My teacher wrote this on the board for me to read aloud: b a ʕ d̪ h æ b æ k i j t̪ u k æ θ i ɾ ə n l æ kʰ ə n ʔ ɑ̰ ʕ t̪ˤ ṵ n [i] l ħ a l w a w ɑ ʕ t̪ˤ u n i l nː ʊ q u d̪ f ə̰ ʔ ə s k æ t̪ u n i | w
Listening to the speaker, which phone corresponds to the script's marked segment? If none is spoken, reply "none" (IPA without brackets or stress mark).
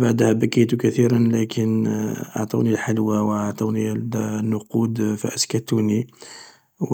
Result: i